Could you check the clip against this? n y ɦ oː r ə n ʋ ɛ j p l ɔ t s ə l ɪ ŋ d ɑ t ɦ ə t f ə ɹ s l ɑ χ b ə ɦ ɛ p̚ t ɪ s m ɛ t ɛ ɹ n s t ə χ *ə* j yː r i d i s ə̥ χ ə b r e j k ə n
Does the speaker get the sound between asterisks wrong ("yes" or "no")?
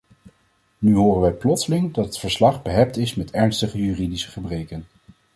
no